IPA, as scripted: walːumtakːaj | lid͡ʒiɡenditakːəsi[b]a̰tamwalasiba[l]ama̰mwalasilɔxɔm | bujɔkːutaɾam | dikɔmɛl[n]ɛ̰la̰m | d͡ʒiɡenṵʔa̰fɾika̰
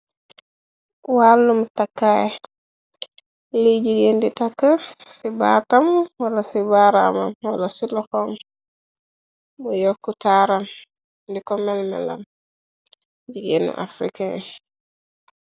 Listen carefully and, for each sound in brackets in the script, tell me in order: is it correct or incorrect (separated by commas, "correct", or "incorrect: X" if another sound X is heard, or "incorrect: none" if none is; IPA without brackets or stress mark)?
correct, incorrect: ɾ, incorrect: m